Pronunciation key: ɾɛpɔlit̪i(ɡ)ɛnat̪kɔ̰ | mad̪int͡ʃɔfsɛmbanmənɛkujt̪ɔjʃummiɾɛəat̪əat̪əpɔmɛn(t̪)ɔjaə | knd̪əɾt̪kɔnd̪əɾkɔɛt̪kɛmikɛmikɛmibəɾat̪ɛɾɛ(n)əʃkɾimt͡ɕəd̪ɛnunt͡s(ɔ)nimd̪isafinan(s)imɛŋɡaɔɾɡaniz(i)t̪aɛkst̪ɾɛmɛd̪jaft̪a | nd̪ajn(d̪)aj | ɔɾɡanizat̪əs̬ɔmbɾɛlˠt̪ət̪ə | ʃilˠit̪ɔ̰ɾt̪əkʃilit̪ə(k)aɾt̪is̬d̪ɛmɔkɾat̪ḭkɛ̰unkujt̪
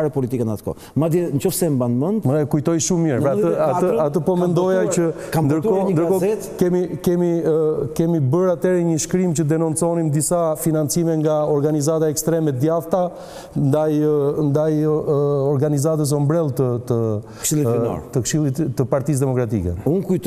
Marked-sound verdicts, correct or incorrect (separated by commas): incorrect, incorrect, incorrect, correct, incorrect, incorrect, correct, incorrect